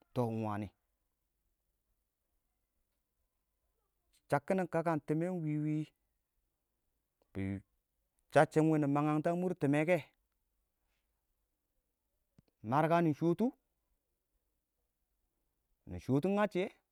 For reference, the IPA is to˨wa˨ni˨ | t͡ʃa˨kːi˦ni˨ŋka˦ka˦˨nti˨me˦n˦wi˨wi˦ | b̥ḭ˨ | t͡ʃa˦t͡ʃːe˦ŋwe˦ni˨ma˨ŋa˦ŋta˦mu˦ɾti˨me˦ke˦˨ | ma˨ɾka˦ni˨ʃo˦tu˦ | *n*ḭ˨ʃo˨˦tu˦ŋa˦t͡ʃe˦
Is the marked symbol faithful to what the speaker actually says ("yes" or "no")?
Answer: yes